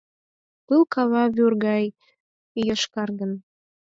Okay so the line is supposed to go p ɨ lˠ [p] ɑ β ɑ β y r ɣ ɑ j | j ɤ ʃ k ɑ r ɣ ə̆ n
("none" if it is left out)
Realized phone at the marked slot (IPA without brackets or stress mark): k